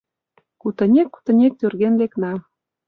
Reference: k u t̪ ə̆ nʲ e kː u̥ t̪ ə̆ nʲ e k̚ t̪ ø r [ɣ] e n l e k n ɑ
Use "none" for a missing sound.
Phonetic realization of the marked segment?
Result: ɣ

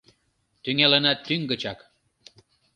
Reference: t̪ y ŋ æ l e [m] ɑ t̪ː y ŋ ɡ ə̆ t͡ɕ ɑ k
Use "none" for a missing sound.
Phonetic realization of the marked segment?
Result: n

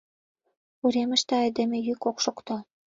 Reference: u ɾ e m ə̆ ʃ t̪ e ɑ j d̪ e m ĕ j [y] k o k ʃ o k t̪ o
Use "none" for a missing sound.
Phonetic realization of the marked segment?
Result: y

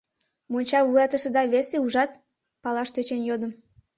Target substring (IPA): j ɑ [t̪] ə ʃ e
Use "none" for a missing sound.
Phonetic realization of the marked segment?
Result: t̪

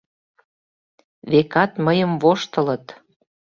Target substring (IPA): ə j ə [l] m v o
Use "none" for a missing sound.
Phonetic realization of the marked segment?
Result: none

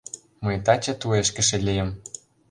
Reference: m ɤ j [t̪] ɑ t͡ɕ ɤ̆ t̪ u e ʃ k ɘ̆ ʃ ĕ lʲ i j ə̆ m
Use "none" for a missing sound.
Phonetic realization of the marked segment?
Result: t̪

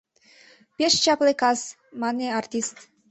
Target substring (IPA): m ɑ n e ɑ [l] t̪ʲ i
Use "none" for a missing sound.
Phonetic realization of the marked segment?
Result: r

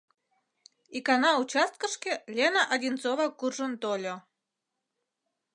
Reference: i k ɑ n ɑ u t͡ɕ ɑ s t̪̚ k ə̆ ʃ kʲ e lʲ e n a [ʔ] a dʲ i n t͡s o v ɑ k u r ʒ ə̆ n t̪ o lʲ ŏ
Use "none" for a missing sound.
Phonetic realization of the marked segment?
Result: ʔ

